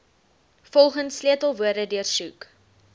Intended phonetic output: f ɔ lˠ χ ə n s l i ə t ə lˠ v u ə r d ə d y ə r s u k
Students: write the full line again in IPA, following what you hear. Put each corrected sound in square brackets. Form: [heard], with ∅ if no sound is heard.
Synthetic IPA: f ɔ lˠ χ ə n s l i ə t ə lˠ v u ə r d ə d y ə r s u k